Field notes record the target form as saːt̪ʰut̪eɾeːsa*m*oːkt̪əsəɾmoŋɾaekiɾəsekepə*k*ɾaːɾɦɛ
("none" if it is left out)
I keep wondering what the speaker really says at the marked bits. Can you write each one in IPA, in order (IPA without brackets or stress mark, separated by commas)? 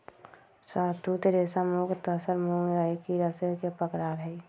m, k